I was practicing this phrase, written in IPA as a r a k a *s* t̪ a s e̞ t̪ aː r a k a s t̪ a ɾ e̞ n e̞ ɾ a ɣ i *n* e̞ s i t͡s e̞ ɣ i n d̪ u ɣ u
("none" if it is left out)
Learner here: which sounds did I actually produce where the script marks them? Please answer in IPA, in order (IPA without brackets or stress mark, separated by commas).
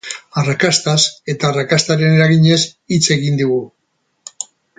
s, ɲ